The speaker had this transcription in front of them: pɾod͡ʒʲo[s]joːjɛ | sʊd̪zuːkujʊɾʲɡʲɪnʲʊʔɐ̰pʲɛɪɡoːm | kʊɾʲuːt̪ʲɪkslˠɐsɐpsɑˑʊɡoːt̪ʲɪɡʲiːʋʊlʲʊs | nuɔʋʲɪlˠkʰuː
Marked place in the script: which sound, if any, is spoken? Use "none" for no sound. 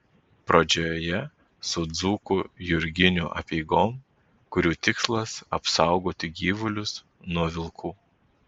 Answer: none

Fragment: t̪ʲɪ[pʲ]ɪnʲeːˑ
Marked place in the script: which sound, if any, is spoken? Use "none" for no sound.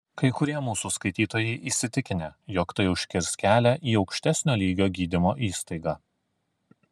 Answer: kʲ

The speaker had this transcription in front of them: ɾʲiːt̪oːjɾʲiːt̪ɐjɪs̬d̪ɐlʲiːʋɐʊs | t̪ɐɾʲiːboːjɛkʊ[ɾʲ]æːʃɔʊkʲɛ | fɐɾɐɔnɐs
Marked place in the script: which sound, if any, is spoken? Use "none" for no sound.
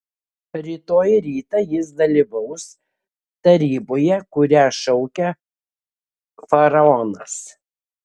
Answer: ɾʲ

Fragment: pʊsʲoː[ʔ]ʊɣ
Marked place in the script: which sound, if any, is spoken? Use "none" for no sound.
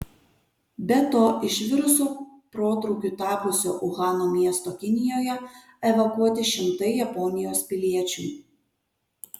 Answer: ʔ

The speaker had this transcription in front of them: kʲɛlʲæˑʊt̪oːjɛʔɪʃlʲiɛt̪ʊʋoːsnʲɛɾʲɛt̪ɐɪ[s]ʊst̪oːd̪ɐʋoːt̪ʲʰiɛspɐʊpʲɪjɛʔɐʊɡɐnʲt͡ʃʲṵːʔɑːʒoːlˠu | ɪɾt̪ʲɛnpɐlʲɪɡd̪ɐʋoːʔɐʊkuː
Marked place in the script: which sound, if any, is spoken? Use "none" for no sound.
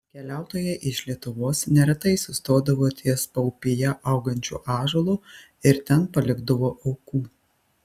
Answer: s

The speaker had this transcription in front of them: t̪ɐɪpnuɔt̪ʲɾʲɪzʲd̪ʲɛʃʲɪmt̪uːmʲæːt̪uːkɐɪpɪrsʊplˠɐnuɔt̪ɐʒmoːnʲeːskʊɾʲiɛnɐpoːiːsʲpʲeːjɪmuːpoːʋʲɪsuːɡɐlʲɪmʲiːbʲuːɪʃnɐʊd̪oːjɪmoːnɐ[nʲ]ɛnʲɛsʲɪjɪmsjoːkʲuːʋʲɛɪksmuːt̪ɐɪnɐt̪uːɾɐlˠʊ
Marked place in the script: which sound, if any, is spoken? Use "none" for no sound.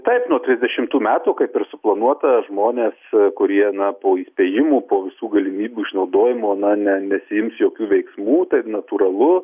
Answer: nʲ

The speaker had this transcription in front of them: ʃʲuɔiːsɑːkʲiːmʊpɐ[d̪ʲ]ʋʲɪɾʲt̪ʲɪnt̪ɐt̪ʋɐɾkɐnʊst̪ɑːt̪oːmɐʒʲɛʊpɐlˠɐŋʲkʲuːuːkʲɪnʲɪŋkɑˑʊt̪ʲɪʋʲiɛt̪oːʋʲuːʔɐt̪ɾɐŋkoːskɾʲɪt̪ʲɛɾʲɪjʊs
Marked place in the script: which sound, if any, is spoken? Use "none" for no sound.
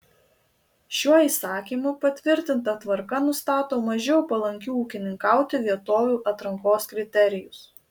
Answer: t̪ʲ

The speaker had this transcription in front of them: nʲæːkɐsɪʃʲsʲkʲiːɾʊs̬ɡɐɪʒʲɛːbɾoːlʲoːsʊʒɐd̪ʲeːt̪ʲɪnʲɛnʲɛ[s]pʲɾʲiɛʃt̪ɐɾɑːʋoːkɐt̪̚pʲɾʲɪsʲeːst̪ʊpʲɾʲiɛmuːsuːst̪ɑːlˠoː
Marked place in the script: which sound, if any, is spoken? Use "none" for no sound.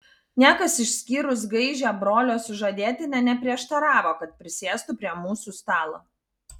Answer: none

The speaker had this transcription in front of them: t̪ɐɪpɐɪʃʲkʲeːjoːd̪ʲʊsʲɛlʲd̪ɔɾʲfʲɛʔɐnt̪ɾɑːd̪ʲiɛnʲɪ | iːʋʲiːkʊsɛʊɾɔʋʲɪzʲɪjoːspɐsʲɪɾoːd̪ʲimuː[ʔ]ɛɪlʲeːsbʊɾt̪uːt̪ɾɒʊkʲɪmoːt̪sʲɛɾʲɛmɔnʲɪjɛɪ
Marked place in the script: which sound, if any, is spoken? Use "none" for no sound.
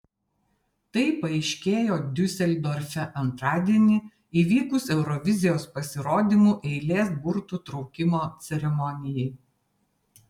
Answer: ʔ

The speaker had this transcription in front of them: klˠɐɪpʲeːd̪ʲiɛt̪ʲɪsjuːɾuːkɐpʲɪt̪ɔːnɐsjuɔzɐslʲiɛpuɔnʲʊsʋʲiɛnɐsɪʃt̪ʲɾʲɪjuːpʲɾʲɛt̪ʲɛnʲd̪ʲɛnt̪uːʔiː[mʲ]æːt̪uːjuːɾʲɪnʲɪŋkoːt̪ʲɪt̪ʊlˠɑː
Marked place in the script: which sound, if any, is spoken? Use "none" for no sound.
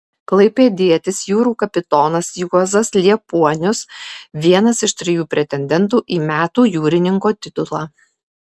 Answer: mʲ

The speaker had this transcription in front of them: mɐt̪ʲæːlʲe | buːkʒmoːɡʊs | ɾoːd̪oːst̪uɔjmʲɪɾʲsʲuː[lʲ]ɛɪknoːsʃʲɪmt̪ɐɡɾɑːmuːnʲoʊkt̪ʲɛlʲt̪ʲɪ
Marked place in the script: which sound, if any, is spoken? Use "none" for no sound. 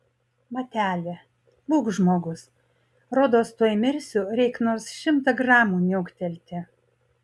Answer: ɾʲ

